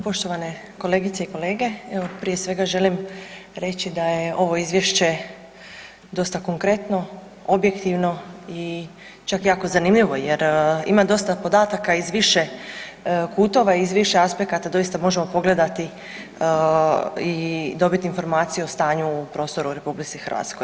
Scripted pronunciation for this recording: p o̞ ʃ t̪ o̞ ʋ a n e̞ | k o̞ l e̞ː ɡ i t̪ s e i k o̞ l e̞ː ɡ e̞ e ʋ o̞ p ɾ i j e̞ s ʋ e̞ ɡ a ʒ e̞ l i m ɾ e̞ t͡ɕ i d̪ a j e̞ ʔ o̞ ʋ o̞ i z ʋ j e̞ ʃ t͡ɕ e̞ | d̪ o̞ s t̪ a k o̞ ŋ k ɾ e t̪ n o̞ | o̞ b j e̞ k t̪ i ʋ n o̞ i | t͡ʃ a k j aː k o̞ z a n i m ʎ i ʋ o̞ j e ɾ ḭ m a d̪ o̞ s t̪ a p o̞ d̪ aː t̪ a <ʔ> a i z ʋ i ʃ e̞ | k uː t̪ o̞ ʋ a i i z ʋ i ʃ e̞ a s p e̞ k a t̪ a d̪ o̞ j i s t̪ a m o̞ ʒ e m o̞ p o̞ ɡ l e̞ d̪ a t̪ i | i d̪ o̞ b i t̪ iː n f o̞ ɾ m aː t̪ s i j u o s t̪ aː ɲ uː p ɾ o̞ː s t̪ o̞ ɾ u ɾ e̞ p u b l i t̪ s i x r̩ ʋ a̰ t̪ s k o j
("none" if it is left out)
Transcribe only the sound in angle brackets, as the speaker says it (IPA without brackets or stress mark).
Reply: k